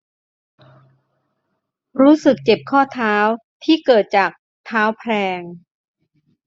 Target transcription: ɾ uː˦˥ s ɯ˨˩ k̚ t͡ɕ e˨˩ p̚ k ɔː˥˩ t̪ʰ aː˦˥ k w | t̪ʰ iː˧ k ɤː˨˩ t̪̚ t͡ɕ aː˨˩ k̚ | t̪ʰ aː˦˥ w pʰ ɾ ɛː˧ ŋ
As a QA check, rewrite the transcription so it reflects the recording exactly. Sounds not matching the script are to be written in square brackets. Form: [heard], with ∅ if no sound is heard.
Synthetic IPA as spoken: ɾ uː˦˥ s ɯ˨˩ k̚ t͡ɕ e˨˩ p̚ [kʰ] ɔː˥˩ t̪ʰ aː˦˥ [∅] w | t̪ʰ [iː˥˩] k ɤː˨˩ t̪̚ t͡ɕ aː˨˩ k̚ | t̪ʰ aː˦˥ w pʰ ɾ ɛː˧ ŋ